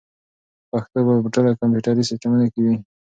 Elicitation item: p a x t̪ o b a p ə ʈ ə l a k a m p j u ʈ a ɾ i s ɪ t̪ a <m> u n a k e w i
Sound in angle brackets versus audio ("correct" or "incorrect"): correct